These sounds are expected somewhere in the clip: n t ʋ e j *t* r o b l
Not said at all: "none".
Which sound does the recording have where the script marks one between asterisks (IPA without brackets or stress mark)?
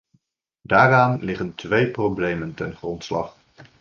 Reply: p